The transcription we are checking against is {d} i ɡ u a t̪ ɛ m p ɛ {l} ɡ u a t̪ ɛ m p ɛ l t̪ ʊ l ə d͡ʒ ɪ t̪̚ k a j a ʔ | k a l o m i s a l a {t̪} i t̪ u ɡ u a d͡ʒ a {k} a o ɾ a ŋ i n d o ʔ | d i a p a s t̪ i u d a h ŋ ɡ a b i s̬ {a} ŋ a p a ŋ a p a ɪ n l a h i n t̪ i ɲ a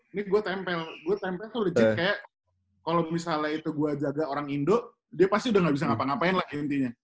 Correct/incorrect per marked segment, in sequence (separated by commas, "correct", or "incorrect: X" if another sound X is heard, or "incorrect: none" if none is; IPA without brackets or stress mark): incorrect: n, correct, incorrect: none, incorrect: ɡ, correct